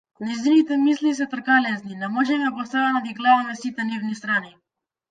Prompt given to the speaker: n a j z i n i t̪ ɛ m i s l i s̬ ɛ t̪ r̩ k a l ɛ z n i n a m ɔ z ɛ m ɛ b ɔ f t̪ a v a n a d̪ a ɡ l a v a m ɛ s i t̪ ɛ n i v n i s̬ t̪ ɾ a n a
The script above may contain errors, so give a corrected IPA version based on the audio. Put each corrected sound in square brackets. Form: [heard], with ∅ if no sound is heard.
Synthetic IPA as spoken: n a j z i n i t̪ ɛ m i s l i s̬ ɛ t̪ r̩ k a l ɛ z n i n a m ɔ [ʒ] ɛ m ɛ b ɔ [s] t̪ a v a n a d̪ [i] ɡ l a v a m ɛ s i t̪ ɛ n i v n i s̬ t̪ ɾ a n [i]